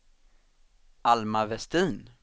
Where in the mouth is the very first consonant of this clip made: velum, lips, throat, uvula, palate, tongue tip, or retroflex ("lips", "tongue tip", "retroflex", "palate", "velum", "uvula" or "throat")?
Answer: tongue tip